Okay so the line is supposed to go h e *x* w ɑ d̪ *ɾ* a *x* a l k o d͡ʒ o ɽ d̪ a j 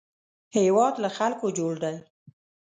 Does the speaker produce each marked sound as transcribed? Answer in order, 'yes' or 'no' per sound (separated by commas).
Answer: no, no, yes